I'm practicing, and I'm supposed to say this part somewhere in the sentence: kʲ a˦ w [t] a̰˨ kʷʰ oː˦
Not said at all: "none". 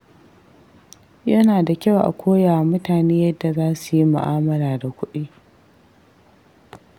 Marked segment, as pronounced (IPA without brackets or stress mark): ʔ